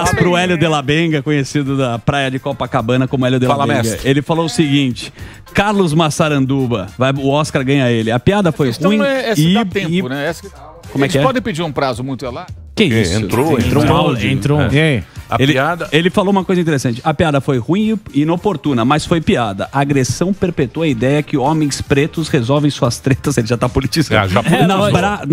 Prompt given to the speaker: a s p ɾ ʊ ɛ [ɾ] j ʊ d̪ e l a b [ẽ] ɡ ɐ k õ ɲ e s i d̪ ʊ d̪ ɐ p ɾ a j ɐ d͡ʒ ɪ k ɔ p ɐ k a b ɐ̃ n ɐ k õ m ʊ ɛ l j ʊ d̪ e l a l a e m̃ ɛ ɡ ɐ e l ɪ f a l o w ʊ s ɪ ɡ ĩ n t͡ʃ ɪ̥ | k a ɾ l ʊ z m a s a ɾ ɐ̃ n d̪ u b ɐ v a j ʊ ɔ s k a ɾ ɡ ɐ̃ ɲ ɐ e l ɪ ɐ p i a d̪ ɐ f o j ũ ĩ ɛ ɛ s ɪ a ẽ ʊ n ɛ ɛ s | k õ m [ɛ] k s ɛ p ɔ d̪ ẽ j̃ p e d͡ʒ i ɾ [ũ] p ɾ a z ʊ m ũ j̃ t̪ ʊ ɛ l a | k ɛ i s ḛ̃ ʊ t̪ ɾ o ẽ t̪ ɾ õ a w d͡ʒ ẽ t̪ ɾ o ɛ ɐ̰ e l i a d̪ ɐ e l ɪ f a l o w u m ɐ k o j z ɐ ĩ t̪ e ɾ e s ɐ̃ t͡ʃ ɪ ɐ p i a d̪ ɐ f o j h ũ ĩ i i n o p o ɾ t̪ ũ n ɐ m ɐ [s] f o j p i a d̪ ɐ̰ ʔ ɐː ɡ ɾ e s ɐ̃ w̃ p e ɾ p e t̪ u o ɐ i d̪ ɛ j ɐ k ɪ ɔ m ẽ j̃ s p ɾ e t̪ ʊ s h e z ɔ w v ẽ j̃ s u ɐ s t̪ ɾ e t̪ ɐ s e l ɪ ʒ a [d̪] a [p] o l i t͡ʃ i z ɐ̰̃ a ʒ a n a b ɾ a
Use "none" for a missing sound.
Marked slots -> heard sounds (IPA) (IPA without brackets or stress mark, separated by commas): l, ẽ, ɛ, ũ, s, t̪, p